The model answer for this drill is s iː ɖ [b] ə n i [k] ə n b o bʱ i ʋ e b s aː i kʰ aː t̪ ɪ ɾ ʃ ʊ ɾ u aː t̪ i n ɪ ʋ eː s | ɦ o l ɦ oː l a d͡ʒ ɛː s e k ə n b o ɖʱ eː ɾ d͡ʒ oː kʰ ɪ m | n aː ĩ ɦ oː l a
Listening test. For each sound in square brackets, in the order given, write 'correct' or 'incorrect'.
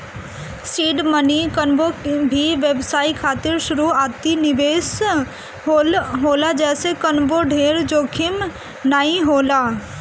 incorrect: m, correct

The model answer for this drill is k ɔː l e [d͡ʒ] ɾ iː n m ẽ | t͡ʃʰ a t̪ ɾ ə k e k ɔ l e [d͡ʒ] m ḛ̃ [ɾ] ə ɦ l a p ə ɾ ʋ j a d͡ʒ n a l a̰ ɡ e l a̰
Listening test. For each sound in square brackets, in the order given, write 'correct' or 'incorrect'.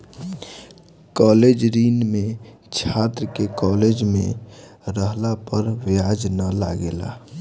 correct, correct, correct

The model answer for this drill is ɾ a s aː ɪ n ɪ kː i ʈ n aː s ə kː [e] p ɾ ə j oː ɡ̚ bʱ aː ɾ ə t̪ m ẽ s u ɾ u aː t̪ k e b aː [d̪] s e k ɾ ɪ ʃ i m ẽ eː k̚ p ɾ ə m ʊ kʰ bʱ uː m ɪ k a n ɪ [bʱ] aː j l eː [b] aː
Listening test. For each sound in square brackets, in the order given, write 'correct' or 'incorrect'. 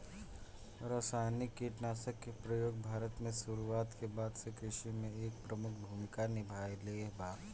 correct, correct, correct, correct

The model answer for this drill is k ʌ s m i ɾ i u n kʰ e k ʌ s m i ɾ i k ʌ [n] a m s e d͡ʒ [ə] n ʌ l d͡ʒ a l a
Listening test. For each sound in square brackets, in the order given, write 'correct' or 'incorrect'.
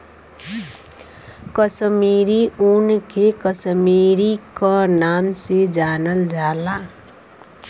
correct, incorrect: a

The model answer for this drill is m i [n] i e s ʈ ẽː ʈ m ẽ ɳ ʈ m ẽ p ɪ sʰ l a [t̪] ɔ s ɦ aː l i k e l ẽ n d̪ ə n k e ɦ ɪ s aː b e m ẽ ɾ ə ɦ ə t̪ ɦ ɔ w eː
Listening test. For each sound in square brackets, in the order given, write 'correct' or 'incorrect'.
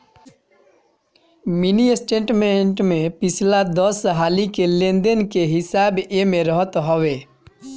correct, incorrect: d̪

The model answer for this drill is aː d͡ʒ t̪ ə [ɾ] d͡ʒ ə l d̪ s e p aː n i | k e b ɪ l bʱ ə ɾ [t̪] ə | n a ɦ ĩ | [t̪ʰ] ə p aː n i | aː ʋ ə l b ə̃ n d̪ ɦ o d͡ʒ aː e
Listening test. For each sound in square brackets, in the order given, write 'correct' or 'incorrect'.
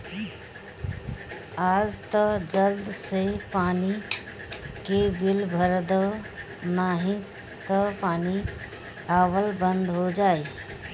incorrect: none, incorrect: d̪, incorrect: t̪

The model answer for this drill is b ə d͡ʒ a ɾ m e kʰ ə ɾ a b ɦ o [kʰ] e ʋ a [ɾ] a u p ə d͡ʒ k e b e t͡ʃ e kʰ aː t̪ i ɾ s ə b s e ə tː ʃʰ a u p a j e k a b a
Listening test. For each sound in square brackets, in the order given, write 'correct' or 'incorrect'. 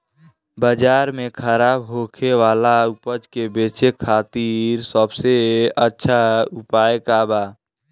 correct, incorrect: l

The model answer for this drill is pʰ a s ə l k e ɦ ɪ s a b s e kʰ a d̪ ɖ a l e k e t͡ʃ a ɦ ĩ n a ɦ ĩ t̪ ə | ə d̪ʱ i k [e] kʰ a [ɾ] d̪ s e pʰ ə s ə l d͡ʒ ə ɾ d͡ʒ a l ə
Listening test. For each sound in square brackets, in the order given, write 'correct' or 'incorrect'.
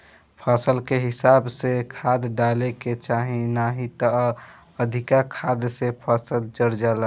incorrect: a, incorrect: none

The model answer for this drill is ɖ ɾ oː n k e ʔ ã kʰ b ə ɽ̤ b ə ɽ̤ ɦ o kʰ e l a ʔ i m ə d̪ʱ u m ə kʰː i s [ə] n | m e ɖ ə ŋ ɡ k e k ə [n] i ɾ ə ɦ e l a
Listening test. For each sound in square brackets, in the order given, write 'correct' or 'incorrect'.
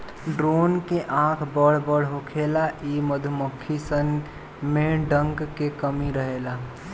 correct, incorrect: m

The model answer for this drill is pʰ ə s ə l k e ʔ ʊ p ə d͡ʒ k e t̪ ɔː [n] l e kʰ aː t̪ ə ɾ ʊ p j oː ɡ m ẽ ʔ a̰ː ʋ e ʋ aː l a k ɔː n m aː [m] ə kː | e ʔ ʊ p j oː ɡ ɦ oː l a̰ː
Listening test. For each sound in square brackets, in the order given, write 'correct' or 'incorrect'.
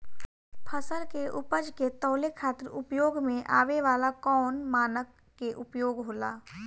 incorrect: none, incorrect: n

